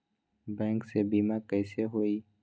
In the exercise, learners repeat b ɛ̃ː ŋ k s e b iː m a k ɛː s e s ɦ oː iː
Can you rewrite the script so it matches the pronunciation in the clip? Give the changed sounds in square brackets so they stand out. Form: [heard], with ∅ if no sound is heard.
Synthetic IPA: b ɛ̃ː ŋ k s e b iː m a k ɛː s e [∅] ɦ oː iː